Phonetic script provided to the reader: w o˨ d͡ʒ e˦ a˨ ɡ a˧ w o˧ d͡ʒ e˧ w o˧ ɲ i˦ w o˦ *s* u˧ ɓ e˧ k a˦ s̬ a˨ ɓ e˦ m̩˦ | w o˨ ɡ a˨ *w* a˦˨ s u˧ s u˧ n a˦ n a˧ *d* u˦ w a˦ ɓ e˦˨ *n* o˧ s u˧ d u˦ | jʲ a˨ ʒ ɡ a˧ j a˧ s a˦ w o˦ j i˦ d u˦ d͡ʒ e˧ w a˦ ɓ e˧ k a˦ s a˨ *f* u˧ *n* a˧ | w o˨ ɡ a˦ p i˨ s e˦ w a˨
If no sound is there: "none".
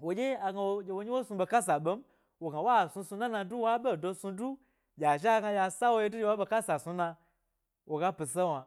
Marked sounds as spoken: s, w, d, d, s, n

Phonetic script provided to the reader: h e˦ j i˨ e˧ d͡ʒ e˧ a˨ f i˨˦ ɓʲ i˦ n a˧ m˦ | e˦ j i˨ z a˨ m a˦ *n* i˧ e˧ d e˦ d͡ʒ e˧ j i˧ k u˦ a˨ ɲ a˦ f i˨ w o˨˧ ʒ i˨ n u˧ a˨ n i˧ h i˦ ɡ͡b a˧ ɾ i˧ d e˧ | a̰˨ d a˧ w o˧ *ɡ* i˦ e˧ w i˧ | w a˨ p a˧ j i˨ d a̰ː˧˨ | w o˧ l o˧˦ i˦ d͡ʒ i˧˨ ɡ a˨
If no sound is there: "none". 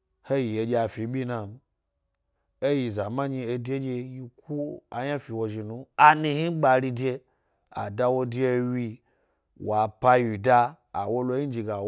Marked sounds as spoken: ɲ, d

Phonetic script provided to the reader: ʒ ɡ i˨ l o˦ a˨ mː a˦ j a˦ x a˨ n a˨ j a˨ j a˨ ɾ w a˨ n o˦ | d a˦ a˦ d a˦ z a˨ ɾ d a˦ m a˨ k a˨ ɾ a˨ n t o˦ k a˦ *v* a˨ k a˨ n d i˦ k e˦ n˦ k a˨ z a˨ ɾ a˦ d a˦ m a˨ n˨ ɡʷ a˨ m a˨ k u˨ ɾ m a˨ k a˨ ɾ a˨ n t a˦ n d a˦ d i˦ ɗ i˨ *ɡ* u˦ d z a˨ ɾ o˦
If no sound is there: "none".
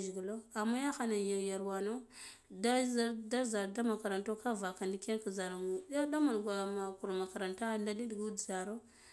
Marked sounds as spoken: v, ɡ

